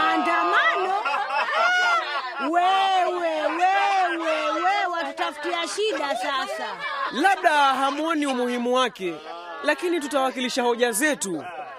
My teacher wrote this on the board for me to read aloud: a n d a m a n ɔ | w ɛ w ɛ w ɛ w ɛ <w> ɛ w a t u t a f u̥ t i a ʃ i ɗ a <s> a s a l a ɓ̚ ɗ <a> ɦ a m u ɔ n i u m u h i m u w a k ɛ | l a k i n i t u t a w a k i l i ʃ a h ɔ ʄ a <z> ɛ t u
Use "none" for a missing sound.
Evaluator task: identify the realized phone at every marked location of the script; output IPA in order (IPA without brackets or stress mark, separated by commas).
w, s, a, z